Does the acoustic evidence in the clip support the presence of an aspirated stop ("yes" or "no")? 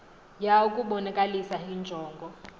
no